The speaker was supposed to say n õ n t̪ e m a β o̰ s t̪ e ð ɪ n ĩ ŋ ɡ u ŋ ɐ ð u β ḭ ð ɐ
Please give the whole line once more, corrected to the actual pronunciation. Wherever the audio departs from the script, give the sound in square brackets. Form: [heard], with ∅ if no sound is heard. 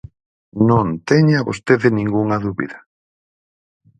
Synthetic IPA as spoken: n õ n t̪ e [ɲ] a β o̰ s t̪ e ð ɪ n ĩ ŋ ɡ u ŋ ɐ ð u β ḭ ð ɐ